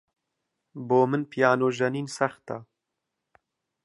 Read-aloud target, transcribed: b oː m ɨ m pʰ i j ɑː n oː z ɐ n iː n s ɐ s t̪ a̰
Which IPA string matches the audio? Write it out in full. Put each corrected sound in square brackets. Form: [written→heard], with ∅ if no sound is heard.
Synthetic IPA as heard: b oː m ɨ [m→n] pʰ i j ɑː n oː [z→ʒ] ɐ n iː n s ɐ [s→x] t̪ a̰

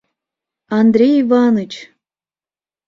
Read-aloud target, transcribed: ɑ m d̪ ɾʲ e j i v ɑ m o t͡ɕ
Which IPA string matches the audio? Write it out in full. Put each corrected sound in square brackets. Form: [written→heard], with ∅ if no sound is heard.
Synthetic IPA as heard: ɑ [m→n] d̪ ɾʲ e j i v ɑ [m→n] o t͡ɕ

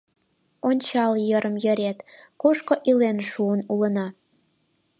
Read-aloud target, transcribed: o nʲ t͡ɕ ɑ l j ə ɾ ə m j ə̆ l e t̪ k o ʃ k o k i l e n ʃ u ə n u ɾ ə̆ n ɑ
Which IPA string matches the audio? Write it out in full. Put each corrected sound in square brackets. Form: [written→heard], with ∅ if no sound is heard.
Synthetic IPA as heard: o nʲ t͡ɕ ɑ l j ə ɾ ə m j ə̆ [l→ɾ] e t̪ k o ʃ k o [k→ʔ] i l e n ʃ u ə n u [ɾ→l] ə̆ n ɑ

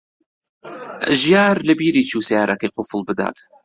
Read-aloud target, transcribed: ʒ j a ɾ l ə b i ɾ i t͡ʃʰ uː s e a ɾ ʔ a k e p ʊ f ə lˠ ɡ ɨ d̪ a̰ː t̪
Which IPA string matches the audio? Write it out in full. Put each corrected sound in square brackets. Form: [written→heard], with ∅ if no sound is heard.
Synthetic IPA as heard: ʒ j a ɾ l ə b i ɾ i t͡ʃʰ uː s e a ɾ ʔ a k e [p→q] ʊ f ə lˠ [ɡ→b] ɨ d̪ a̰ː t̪

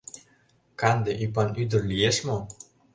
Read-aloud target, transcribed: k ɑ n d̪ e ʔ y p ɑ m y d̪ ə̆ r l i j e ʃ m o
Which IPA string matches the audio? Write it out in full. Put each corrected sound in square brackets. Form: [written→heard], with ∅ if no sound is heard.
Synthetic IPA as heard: k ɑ n d̪ e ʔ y p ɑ [m→n] y d̪ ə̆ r l i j e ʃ m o

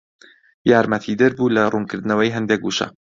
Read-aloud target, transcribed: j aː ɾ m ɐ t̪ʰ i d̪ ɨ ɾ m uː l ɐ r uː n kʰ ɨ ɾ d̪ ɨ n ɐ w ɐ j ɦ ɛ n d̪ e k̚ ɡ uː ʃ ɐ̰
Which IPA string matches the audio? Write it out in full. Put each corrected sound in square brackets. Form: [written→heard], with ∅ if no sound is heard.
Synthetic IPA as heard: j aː ɾ m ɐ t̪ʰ i d̪ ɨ ɾ [m→b] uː l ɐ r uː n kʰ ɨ ɾ d̪ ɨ n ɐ w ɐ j ɦ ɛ n d̪ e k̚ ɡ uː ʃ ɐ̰

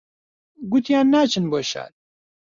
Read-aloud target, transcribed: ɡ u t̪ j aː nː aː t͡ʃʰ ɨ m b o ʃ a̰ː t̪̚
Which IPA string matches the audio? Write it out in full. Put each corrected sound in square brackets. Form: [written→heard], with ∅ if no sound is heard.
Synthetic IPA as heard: ɡ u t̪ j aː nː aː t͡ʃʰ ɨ [m→n] b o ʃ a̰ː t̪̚

